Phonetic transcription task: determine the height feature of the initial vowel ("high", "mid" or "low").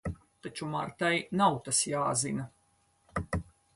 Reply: low